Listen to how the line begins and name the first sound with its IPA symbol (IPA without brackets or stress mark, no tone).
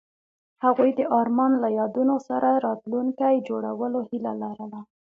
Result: h